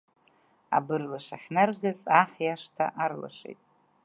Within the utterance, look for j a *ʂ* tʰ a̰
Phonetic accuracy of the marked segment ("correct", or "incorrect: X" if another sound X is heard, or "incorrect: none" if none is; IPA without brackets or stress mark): correct